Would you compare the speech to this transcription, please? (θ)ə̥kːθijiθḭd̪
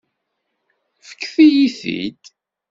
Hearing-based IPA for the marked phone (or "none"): f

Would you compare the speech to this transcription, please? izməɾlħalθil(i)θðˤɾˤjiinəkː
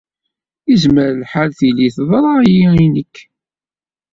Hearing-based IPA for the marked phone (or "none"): i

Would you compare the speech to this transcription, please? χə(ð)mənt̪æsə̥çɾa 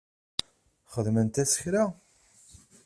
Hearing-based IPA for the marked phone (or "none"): ð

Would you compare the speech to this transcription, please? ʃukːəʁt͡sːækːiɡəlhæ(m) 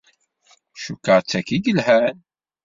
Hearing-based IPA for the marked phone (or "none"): n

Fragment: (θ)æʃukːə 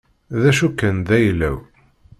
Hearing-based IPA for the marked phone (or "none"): ð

